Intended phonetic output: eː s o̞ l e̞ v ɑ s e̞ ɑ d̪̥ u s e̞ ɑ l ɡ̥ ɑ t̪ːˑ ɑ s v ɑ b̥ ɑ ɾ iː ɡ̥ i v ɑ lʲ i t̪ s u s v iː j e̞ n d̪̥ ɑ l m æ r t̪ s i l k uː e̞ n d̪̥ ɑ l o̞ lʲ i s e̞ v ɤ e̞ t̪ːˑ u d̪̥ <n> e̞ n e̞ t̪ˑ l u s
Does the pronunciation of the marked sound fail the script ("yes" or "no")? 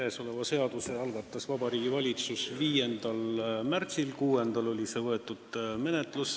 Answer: yes